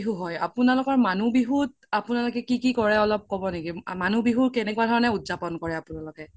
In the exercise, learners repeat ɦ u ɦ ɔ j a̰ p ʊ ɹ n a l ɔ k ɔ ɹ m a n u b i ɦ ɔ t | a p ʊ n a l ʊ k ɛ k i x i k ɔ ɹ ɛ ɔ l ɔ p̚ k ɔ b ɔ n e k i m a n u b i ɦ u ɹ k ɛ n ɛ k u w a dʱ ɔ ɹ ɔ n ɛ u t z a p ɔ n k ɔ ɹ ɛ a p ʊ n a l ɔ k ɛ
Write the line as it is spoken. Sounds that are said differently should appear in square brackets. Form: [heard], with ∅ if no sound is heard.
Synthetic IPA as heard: ɦ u ɦ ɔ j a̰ p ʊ [∅] n a l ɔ k ɔ ɹ m a n u b i ɦ [u] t | a p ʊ n a l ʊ k ɛ k i [k] i k ɔ ɹ ɛ ɔ l ɔ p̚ k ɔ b ɔ n e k i m a n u b i ɦ u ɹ k ɛ n ɛ k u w a dʱ ɔ ɹ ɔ n ɛ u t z a p ɔ n k ɔ ɹ ɛ a p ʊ n a l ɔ k ɛ